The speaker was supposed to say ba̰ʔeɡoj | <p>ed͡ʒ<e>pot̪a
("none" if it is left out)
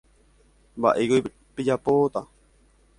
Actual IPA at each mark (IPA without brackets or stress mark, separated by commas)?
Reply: p, a